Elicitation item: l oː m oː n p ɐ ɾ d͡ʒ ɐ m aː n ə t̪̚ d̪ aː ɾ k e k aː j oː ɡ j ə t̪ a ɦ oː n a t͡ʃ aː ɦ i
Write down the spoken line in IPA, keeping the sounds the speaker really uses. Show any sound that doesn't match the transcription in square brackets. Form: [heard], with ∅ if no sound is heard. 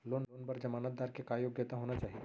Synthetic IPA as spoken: l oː [n] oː n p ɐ ɾ d͡ʒ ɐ m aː n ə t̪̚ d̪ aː ɾ k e k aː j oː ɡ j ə t̪ a ɦ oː n a t͡ʃ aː ɦ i